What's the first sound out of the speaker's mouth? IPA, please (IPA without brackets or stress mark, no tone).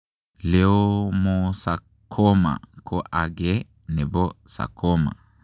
l